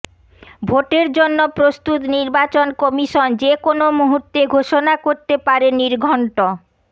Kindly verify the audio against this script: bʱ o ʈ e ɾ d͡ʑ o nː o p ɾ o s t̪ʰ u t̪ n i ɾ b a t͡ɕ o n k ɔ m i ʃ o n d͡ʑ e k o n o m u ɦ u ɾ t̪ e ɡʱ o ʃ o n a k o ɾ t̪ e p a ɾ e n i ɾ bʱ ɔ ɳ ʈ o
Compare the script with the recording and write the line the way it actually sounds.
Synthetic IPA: bʱ o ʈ e ɾ d͡ʑ o nː o p ɾ o s t̪ u t̪ n i ɾ b a t͡ɕ o n k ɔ m i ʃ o n d͡ʑ e k o n o m u ɦ u ɾ t̪ e ɡʱ o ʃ o n a k o ɾ t̪ e p a ɾ e n i ɾ ɡʱ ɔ ɳ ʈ o